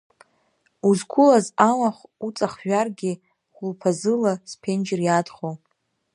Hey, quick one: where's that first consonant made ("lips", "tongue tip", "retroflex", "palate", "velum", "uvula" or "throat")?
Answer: tongue tip